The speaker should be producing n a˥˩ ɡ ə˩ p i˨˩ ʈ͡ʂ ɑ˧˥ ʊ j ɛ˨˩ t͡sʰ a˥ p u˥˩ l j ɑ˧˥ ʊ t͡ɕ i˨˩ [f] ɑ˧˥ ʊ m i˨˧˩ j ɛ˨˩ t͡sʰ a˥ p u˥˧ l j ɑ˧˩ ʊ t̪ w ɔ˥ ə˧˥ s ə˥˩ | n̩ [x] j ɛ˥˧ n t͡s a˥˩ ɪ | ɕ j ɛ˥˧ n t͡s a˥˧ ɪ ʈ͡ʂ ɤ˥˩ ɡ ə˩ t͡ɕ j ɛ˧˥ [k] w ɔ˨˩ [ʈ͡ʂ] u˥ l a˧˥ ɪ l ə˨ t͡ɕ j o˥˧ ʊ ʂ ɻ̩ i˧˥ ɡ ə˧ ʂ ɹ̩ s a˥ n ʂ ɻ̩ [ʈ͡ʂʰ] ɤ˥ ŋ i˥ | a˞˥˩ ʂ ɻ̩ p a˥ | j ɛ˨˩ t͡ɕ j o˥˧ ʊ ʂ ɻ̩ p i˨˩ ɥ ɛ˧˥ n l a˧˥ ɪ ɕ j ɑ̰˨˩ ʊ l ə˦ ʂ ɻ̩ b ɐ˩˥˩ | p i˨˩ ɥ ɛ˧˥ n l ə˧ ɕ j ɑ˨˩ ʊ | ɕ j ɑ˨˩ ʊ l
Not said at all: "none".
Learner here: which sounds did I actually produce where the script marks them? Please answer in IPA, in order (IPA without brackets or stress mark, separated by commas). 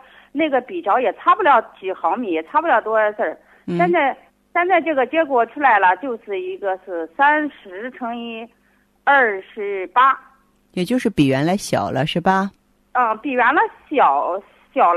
x, ɕ, k, ʈ͡ʂʰ, ʈ͡ʂʰ